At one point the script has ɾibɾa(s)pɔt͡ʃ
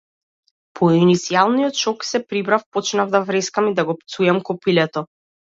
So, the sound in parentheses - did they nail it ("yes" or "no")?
no